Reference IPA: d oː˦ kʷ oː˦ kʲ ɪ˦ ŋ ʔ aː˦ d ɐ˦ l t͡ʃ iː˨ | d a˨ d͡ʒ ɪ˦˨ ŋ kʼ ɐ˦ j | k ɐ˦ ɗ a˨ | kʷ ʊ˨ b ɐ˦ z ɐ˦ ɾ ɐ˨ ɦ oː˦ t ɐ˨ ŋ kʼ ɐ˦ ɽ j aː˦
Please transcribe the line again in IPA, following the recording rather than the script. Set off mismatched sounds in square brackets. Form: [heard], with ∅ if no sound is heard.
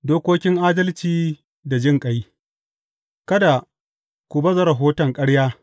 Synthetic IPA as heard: d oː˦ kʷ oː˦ kʲ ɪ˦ ŋ ʔ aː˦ d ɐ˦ l t͡ʃ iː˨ | d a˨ d͡ʒ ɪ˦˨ ŋ kʼ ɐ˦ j | k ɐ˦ [d] a˨ | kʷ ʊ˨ b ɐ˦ z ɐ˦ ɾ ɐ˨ ɦ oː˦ t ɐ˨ ŋ kʼ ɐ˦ ɽ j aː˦